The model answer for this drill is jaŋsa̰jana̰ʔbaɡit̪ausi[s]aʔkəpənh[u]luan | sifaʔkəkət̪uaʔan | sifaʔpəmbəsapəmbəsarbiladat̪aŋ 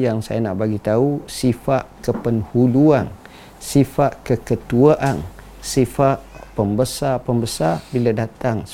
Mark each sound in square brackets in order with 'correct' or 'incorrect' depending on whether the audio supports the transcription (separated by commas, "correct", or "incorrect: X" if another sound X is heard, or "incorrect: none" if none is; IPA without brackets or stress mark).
incorrect: f, correct